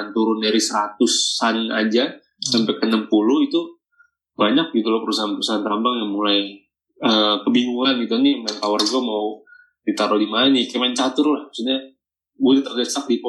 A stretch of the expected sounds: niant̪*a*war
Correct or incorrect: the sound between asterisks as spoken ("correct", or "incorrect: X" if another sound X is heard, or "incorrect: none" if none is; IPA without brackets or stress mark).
correct